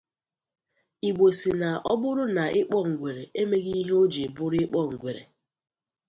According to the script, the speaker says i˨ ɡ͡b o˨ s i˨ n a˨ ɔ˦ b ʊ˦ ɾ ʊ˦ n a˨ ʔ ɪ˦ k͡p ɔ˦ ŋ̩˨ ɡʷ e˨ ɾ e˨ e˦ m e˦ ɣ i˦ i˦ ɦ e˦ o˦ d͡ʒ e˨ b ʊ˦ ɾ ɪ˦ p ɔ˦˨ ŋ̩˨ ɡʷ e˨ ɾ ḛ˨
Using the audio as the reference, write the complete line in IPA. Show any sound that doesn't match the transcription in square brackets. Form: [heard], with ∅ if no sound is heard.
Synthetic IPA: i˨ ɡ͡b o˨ s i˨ n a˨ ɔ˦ b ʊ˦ ɾ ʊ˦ n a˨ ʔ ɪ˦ k͡p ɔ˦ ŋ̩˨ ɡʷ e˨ ɾ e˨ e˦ m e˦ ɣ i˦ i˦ ɦ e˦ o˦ d͡ʒ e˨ b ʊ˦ ɾ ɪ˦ [k͡p] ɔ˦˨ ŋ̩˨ ɡʷ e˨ ɾ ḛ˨